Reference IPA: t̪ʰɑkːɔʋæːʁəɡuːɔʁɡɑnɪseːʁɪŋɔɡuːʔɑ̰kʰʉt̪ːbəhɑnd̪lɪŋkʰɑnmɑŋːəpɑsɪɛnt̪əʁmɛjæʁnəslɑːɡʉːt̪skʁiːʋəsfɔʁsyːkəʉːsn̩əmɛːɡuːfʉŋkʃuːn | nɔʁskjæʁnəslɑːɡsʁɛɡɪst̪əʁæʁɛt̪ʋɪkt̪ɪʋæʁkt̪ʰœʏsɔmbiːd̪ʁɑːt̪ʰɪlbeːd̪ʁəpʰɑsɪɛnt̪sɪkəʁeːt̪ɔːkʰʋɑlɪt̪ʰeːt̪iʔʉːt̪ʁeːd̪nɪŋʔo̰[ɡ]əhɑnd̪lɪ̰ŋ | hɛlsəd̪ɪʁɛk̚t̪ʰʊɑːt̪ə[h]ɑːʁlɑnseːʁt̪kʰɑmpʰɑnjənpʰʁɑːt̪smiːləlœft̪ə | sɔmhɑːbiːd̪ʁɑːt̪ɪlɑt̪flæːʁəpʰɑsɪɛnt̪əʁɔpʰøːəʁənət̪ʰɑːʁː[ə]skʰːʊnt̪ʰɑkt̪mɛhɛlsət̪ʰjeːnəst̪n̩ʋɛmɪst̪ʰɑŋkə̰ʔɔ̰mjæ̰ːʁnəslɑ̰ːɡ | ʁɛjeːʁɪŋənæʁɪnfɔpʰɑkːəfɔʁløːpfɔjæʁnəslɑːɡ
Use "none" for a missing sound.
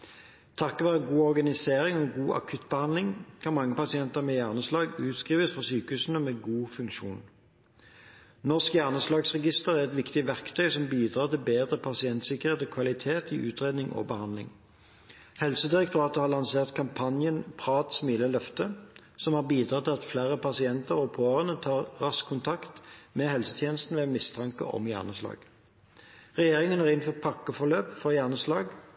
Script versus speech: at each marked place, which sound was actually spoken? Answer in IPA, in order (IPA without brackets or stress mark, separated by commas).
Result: b, h, ɑ